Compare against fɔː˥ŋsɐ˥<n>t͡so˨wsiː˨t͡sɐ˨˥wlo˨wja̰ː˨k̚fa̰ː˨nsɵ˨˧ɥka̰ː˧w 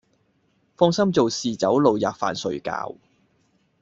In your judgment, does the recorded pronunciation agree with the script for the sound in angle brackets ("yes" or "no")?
no